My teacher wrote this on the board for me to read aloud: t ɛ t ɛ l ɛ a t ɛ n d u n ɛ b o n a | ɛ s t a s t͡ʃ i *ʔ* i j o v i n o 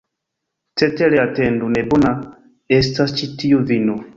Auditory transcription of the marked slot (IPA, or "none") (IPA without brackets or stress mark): t